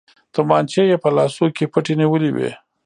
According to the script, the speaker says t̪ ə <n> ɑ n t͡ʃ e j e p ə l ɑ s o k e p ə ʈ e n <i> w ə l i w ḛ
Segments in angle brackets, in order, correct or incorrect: incorrect: m, correct

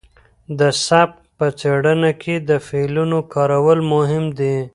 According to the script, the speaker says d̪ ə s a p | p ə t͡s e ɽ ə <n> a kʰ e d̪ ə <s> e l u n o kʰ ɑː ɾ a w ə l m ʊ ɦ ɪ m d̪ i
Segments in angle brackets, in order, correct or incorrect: correct, incorrect: f

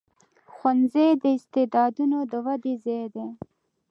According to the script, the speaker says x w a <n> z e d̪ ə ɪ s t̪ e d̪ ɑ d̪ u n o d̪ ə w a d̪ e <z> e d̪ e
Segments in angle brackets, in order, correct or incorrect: correct, correct

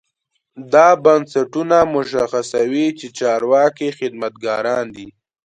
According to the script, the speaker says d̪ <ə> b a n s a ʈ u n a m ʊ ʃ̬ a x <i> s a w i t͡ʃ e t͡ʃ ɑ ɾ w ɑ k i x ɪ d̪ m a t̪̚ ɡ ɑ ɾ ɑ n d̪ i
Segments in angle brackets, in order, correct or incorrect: incorrect: ɑ, incorrect: a

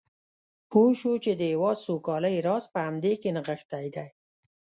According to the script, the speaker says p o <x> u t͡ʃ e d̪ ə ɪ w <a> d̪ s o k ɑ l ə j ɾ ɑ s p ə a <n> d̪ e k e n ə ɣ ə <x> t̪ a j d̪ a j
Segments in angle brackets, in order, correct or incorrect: incorrect: ʃ, incorrect: ɑ, incorrect: m, correct

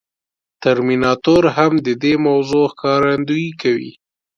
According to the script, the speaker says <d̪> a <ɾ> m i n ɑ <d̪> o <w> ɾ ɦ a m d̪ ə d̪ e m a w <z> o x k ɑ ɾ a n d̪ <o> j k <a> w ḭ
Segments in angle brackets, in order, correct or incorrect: incorrect: t̪, correct, incorrect: t̪, incorrect: none, correct, incorrect: u, correct

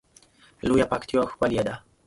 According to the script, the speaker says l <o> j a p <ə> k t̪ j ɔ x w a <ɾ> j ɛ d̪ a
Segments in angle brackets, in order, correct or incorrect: incorrect: u, incorrect: a, incorrect: l

